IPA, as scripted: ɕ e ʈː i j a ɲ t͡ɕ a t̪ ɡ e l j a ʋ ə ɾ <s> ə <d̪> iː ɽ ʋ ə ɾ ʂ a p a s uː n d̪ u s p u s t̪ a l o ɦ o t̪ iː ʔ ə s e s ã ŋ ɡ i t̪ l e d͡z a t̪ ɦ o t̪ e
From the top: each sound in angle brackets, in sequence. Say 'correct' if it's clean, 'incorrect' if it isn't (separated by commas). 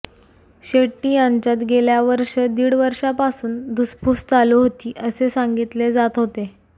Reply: incorrect, correct